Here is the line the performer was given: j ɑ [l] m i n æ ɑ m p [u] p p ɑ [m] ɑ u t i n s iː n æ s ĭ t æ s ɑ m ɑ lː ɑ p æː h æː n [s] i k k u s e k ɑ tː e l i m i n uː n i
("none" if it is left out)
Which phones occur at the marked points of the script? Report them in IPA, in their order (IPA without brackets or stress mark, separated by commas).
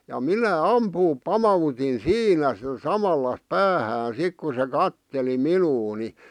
none, uː, m, s